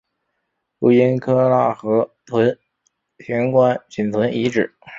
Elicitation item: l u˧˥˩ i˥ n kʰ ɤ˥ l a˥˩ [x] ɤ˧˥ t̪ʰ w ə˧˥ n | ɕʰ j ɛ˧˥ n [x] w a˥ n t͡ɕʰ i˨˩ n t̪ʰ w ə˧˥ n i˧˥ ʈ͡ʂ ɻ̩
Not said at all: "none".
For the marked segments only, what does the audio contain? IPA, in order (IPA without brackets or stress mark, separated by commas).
x, k